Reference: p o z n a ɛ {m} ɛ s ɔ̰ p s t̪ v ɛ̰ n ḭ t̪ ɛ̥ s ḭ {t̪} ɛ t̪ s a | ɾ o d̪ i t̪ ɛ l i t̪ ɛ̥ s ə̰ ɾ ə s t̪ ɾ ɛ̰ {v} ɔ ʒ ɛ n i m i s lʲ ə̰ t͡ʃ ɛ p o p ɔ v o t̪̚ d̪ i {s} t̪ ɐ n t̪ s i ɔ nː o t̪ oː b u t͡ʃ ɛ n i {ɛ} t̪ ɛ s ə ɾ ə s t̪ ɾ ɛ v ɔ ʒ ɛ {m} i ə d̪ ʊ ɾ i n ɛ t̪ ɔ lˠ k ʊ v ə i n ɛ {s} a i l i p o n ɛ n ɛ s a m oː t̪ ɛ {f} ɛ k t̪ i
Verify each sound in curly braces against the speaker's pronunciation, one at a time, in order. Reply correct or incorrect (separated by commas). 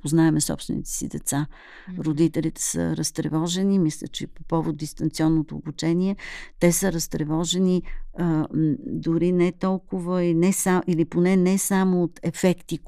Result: correct, incorrect, correct, correct, correct, incorrect, correct, correct